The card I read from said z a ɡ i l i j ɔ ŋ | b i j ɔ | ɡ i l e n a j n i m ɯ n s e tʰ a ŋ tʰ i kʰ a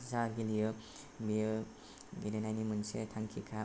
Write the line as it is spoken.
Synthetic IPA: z a ɡ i l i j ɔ | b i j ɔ | ɡ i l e n a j n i m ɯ n s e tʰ a ŋ kʰ i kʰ a